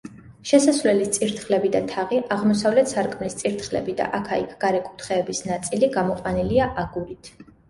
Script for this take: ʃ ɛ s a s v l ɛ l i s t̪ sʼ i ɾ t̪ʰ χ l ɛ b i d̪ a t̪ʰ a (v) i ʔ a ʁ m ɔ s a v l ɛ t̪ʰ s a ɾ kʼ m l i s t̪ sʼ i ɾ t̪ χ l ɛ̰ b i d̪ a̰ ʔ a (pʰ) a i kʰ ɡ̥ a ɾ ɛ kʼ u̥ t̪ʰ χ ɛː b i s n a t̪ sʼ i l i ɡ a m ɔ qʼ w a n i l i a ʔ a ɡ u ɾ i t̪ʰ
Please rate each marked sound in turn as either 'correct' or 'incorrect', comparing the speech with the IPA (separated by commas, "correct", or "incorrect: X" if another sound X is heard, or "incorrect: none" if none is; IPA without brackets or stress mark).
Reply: incorrect: ʁ, incorrect: kʰ